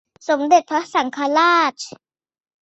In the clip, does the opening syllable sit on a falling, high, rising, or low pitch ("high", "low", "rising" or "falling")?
rising